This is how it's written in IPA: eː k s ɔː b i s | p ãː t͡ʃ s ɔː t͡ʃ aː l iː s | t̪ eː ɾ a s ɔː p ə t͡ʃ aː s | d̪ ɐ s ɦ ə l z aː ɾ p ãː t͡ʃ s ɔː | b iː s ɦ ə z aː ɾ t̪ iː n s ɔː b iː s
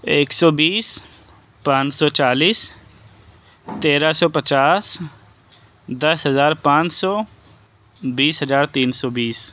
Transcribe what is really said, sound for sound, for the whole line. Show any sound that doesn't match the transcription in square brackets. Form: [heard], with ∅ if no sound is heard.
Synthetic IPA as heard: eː k s ɔː b [iː] s | p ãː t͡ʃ s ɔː t͡ʃ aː l iː s | t̪ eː ɾ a s ɔː p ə t͡ʃ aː s | d̪ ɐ s ɦ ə [∅] z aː ɾ p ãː t͡ʃ s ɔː | b iː s ɦ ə z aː ɾ t̪ iː n s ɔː b iː s